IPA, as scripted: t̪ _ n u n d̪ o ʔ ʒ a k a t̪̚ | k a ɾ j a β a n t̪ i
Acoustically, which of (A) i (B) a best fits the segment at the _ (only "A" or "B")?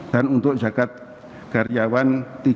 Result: B